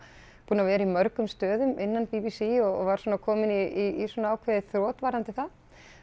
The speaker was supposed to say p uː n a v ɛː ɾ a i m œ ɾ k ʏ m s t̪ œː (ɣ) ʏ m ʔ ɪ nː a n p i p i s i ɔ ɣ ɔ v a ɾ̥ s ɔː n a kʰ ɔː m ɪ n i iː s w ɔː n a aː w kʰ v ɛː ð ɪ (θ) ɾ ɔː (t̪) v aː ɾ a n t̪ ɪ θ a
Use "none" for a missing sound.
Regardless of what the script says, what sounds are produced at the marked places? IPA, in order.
ð, θ, t̪

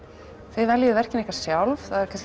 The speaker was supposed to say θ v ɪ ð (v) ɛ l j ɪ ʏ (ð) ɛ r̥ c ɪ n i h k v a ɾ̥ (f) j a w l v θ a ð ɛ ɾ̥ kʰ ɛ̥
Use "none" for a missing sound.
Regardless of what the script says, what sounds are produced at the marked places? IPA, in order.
v, v, s

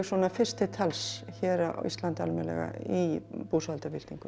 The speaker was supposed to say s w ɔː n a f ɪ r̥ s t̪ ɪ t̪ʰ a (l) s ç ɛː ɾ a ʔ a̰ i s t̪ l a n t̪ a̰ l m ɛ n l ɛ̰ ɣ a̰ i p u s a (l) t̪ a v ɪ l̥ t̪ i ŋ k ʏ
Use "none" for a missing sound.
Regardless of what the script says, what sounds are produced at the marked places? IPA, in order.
l, l

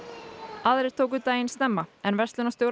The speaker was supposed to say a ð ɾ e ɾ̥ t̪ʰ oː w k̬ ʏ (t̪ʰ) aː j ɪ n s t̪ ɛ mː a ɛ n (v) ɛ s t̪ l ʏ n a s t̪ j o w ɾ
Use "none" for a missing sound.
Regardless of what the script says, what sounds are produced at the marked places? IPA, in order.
t̪, v

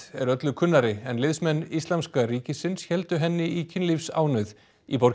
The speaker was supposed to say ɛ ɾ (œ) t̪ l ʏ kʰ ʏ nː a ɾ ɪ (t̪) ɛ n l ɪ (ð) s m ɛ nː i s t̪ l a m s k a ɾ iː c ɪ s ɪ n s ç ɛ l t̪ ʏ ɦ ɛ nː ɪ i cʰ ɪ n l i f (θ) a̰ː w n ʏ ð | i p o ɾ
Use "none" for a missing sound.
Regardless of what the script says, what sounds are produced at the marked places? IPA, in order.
œ, none, ð, s

